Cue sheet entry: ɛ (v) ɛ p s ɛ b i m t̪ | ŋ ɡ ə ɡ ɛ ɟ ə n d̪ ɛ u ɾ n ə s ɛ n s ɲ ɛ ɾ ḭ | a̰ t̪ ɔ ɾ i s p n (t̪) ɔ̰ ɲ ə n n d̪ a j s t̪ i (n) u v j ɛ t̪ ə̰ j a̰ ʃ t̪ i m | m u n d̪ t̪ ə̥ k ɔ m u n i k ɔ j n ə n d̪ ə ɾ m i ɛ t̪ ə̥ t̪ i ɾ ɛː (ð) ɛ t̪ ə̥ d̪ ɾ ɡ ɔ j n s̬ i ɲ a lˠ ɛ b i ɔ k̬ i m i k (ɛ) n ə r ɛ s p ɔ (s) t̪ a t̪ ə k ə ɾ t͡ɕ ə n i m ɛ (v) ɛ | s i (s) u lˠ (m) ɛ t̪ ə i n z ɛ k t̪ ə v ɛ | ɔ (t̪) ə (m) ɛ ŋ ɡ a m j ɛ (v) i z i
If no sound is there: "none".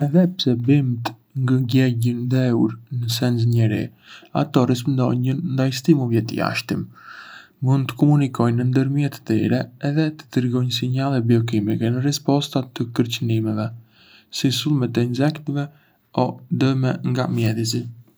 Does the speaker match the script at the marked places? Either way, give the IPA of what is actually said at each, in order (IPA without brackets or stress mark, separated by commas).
ð, d̪, m, ð, ɛ, s, v, s, m, d̪, m, ð